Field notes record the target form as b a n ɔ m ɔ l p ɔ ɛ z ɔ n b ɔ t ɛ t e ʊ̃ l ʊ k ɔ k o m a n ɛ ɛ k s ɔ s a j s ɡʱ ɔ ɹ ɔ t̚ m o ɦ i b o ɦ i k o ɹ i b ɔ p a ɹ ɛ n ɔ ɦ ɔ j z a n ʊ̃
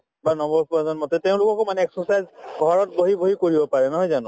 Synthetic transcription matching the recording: b a n ɔ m ɔ ɹ p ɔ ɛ z ɔ n m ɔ t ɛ t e ʊ̃ l ʊ k ɔ k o m a n ɛ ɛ k s ɔ s a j z ɡʱ ɔ ɹ ɔ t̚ b o ɦ i b o ɦ i k o ɹ i b ɔ p a ɹ ɛ n ɔ ɦ ɔ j z a n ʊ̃

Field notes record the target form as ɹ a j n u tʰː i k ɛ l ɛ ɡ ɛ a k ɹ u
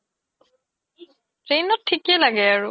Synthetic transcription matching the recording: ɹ e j n ɔ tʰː i k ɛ l a ɡ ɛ a ɹ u

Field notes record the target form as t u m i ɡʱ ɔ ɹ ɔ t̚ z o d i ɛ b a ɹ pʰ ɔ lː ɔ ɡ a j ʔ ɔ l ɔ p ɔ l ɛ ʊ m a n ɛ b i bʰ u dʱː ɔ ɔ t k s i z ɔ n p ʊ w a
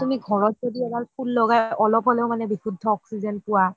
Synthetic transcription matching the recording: t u m i ɡʱ ɔ ɹ ɔ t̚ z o d i ɛ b a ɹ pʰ u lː ɔ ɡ a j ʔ ɔ l ɔ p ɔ l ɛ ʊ m a n ɛ b i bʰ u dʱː ɔ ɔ k s i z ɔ n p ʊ w a

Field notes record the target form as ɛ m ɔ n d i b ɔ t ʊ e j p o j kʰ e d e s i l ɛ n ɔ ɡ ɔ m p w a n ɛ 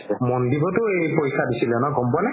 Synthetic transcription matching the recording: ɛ m ɔ n d i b ɔ t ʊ e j p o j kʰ a d i s i l ɛ n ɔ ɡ ɔ m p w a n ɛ

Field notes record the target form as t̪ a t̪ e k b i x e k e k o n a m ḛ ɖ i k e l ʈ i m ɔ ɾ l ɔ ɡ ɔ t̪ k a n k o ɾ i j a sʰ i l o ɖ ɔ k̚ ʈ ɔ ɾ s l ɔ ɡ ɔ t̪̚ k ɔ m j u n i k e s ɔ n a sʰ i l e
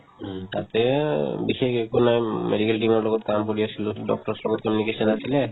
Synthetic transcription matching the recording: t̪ a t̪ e b i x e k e k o n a m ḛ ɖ i k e l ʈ i m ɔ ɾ l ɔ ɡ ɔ t̪ k a m k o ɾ i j a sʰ i l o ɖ ɔ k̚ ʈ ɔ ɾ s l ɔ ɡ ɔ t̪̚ k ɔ m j u n i k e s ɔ n a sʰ i l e

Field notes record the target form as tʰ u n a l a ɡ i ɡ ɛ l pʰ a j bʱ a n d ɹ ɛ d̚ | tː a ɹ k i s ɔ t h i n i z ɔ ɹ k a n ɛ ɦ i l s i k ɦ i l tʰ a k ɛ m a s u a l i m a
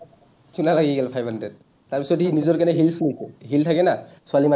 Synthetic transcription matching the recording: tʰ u n a l a ɡ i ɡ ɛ l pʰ a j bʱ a n d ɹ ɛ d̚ | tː a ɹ p i s ɔ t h i n i z ɔ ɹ k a n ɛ ɦ i l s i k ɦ i l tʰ a k ɛ n a s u a l i m a

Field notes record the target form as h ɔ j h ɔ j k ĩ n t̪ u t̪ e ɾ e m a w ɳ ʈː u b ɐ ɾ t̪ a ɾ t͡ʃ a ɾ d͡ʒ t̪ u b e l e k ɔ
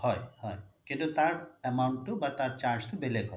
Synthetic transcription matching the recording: h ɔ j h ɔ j k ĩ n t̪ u t̪ a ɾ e m a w ɳ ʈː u b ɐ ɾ t̪ a ɾ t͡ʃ a ɾ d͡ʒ t̪ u b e l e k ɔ

